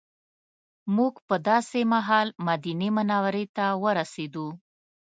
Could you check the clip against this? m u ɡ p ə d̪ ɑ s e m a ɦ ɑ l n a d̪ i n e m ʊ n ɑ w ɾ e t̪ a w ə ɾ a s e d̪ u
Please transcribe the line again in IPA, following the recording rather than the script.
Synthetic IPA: m u ɡ p ə d̪ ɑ s e m a ɦ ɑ l m a d̪ i n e m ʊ n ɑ w ɾ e t̪ a w ə ɾ a s e d̪ u